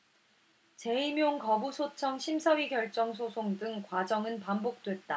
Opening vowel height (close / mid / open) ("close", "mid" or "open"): mid